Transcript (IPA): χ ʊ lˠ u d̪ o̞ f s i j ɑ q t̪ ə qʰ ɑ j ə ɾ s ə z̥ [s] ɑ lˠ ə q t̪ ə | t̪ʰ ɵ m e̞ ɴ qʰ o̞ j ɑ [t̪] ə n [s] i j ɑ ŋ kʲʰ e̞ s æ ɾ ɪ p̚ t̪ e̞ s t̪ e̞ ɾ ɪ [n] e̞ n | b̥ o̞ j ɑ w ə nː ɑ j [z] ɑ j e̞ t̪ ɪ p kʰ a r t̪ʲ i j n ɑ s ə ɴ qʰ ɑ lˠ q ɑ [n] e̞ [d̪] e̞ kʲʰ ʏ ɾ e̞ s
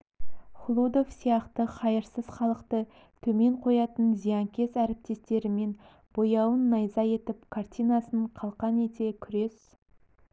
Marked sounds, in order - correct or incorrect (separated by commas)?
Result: incorrect, correct, incorrect, incorrect, correct, correct, incorrect